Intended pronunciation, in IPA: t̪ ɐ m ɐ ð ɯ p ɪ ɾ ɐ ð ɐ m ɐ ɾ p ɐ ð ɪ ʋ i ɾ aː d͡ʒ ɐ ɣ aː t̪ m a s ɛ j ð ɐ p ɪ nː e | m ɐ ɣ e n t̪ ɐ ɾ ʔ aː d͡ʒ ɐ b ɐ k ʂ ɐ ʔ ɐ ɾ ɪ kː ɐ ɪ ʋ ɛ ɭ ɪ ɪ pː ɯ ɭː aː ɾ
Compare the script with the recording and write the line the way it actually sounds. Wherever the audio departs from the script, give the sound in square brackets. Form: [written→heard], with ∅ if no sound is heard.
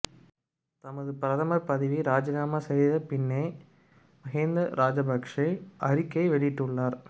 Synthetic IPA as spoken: t̪ ɐ m ɐ ð ɯ p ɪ ɾ ɐ ð ɐ m ɐ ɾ p ɐ ð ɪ ʋ i ɾ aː d͡ʒ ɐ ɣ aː [t̪→∅] m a s ɛ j ð ɐ p ɪ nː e | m ɐ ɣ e n [t̪→d̪] ɐ ɾ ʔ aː d͡ʒ ɐ b ɐ k ʂ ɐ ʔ ɐ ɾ ɪ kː ɐ ɪ ʋ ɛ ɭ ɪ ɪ [pː→ʈː] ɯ ɭː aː ɾ